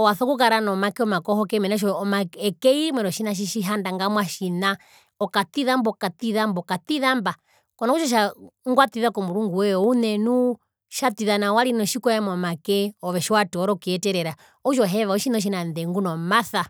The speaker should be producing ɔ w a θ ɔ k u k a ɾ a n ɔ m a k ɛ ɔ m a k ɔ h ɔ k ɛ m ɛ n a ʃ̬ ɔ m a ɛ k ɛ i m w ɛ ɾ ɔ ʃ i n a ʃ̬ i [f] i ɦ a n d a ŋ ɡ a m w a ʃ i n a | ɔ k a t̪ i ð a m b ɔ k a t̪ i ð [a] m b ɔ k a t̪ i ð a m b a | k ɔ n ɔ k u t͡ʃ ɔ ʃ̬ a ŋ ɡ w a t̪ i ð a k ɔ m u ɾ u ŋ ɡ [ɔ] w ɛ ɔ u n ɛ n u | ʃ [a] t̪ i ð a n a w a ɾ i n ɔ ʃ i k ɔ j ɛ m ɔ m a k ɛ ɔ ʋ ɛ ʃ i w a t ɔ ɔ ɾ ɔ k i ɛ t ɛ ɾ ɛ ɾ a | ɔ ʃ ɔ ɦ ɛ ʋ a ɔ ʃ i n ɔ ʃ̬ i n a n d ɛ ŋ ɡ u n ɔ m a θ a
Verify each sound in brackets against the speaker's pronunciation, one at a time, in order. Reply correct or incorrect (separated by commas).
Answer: incorrect, correct, incorrect, correct